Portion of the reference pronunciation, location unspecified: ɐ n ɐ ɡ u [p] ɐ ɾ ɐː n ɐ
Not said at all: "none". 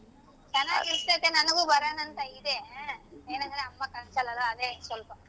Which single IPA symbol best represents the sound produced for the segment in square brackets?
b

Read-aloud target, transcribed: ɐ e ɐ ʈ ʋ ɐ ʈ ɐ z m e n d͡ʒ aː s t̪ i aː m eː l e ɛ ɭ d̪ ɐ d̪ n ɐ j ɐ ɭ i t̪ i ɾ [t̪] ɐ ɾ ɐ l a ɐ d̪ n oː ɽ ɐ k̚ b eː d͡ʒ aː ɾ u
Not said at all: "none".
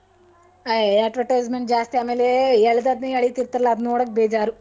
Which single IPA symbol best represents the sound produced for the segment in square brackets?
t̪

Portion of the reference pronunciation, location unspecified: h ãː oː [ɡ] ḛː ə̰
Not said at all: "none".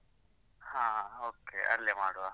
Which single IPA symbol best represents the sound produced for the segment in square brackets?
k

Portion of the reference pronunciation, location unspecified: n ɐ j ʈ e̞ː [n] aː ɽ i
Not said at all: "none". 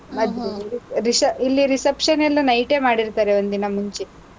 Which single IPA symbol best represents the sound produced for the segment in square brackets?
m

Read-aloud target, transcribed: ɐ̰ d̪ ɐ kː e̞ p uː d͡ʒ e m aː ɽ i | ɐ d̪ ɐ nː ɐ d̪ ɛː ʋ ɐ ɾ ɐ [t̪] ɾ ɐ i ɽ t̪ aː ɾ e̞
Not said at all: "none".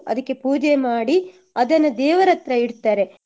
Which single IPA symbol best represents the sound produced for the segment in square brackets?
t̪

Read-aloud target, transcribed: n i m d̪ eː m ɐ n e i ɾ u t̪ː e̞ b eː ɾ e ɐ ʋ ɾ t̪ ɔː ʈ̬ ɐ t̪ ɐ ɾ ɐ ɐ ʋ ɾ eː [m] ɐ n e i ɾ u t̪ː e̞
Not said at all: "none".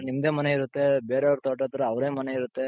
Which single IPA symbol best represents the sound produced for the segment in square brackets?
m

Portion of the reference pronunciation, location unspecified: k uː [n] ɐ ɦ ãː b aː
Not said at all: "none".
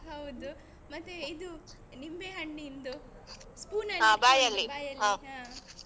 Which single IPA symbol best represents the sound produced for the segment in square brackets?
n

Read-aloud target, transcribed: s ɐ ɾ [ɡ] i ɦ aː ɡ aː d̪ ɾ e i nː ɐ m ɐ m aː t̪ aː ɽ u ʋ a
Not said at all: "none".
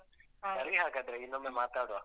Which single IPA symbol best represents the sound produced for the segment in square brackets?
ɡ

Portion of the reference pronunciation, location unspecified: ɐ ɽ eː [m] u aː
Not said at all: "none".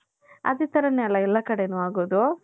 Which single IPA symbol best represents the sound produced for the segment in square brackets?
n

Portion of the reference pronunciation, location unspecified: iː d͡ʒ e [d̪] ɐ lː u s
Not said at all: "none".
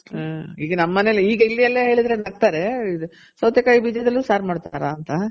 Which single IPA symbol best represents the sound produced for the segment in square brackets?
d̪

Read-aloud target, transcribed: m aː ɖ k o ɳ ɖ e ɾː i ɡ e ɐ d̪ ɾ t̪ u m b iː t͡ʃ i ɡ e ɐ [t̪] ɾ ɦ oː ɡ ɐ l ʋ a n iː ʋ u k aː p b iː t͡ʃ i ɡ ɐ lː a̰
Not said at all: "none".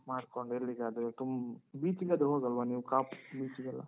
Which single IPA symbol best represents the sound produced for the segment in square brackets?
d̪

